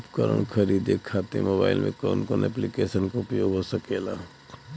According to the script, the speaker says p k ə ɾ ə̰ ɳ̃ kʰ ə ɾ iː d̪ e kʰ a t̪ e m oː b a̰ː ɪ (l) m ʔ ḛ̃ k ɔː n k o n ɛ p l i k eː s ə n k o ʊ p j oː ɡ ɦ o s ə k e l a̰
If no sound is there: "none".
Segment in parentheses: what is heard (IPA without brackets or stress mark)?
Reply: l